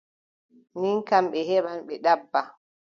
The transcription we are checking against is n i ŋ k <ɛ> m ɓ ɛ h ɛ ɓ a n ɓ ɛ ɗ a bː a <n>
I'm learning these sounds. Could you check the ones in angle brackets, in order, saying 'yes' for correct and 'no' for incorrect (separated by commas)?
no, no